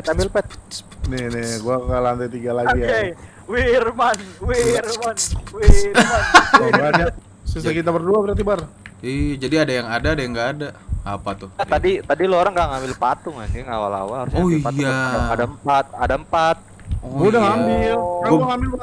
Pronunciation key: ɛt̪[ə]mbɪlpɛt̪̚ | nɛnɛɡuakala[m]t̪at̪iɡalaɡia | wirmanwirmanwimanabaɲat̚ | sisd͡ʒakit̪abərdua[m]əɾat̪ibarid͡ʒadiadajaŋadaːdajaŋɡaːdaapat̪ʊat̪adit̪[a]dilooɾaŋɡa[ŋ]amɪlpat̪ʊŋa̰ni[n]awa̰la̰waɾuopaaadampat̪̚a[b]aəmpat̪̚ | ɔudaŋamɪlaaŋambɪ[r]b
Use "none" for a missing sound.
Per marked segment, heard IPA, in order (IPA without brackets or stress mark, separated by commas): a, n, b, a, ŋ, ŋ, d, l